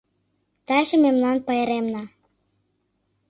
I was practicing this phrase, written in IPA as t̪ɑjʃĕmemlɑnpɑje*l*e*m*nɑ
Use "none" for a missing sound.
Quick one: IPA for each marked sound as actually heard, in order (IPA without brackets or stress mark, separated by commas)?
ɾ, m